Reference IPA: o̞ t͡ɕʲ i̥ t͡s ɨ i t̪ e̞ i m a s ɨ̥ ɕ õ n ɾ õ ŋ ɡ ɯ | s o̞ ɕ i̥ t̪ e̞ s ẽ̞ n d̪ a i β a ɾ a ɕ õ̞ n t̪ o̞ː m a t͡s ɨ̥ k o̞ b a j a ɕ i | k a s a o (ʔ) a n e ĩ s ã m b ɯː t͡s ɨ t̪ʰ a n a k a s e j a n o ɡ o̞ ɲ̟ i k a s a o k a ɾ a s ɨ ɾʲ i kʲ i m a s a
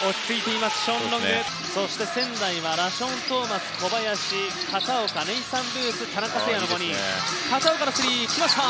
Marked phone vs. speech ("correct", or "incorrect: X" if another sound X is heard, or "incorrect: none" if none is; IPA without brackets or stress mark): incorrect: k